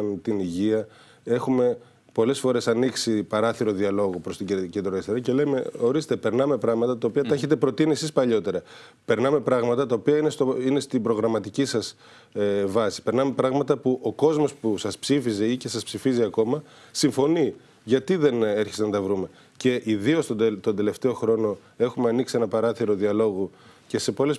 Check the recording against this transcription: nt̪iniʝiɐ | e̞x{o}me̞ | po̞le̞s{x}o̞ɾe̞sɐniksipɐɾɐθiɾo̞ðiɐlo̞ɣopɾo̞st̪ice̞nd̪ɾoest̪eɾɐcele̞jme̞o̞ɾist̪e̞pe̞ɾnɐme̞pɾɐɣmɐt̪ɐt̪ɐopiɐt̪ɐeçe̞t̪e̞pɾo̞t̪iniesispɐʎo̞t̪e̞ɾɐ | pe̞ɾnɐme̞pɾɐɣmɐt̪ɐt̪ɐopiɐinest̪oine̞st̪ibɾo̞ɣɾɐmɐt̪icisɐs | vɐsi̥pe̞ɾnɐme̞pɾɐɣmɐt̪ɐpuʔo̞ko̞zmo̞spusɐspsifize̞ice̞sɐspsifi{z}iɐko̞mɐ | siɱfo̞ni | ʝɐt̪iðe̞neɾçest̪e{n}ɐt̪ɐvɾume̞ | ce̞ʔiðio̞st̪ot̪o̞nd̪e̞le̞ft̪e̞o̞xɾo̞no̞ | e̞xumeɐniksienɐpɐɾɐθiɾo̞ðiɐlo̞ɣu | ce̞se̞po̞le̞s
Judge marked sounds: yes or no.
no, no, yes, yes

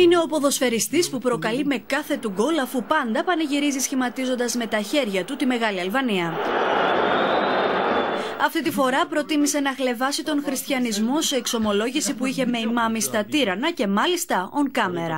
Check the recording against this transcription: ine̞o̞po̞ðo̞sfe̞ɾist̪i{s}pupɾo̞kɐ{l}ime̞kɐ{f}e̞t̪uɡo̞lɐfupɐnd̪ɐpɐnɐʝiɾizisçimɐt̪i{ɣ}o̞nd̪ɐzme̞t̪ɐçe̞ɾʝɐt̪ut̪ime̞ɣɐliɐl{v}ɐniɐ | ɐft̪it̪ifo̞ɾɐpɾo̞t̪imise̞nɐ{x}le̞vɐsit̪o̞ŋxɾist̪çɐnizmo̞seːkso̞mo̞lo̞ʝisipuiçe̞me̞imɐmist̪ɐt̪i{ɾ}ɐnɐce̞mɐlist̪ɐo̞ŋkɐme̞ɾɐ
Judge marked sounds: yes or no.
yes, yes, no, no, yes, yes, yes

